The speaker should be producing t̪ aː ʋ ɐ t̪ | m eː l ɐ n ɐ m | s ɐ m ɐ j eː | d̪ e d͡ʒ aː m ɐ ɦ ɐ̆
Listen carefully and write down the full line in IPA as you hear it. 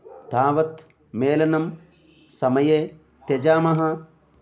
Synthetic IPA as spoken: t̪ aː ʋ ɐ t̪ | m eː l ɐ n ɐ m | s ɐ m ɐ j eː | t̪ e d͡ʒ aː m ɐ ɦ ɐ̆